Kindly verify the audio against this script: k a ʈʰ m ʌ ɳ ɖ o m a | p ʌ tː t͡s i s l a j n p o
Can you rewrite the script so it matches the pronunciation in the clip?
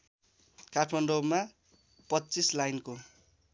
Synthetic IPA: k a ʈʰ m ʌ n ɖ o m a | p ʌ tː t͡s i s l a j n k o